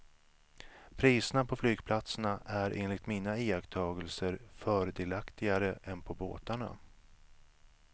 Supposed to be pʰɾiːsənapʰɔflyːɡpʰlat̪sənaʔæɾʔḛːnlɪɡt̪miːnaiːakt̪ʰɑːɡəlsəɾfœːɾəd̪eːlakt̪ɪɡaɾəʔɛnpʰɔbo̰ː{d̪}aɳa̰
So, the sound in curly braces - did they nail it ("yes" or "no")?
no